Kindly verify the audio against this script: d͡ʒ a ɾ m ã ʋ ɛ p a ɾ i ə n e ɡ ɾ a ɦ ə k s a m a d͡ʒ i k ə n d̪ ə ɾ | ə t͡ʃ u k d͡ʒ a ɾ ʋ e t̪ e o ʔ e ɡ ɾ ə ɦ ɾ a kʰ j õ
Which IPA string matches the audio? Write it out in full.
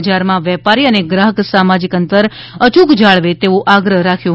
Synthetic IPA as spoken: d͡ʒ a ɾ m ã ʋ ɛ p a ɾ i ə n e ɡ ɾ a ɦ ə k s a m a d͡ʒ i k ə n t̪ ə ɾ | ə t͡ʃ u k d͡ʒ a ɭ ʋ e t̪ e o ʔ a ɡ ɾ ə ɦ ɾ a kʰ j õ